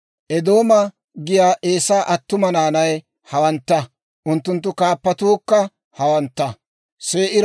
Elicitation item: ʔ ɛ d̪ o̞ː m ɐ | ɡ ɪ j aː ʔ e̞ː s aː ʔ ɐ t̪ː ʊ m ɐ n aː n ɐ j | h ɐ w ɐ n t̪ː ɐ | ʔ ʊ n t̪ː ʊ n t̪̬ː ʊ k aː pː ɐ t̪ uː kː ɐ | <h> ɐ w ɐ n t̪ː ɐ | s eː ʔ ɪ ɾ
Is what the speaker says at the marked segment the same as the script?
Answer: yes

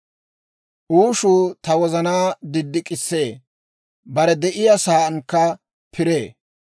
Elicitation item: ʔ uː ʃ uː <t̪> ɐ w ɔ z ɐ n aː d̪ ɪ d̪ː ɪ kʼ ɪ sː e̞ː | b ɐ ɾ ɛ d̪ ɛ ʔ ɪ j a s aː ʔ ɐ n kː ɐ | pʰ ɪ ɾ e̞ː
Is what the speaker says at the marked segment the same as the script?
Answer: yes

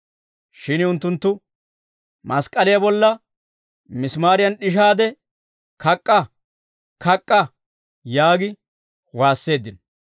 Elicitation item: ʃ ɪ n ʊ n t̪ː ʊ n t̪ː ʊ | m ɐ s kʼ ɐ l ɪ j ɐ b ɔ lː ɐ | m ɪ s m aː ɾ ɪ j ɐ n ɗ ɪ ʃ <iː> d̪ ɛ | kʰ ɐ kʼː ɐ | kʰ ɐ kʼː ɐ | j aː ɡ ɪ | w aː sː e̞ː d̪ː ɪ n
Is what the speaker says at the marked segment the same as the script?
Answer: no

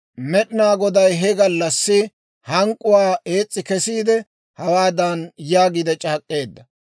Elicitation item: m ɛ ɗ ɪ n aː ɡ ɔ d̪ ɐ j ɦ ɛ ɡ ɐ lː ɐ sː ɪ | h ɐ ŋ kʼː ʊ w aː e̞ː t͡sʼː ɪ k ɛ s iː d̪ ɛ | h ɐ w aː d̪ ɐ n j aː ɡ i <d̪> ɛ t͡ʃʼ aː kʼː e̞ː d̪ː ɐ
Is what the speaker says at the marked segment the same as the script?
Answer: yes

